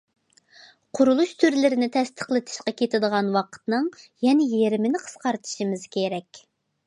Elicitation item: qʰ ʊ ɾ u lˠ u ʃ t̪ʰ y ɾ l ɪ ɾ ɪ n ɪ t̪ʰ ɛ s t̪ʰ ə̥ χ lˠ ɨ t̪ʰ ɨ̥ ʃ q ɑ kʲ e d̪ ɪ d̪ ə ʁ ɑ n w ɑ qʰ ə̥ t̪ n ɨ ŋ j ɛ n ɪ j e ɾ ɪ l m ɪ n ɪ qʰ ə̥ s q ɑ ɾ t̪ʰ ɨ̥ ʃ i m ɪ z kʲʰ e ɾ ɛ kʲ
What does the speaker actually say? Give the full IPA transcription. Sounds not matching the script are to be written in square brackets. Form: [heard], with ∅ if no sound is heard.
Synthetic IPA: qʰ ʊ ɾ u lˠ u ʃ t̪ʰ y ɾ l ɪ ɾ ɪ n ɪ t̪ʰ ɛ s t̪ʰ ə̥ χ lˠ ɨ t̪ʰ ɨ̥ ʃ q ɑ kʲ e [t̪] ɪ d̪ ə ʁ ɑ n w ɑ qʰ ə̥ t̪ n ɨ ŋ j ɛ n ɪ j e ɾ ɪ [∅] m ɪ n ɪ qʰ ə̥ s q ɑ ɾ t̪ʰ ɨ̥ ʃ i m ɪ z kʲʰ e ɾ ɛ kʲ